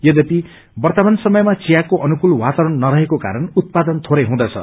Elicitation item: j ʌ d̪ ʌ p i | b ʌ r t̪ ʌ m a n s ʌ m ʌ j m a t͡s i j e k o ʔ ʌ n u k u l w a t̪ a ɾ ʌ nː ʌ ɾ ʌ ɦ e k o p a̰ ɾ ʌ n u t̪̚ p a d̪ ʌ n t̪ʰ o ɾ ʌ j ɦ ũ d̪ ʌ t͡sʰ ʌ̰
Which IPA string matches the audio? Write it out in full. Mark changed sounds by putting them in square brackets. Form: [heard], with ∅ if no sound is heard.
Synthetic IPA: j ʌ d̪ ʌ p i | b ʌ r t̪ ʌ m a n s ʌ m ʌ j m a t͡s i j [a] k o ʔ ʌ n u k u l w a t̪ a ɾ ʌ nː ʌ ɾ ʌ ɦ e k o [k] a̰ ɾ ʌ n u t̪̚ p a d̪ ʌ n t̪ʰ o ɾ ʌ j ɦ ũ d̪ ʌ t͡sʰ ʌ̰